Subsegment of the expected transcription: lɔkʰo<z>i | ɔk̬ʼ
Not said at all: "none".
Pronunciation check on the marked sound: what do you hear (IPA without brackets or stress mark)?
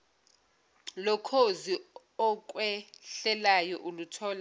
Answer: z